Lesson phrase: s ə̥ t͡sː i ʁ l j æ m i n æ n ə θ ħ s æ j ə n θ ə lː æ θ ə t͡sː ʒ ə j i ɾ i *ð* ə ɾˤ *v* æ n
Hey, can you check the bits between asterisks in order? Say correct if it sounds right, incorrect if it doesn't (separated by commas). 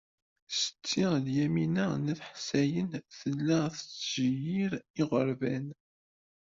incorrect, correct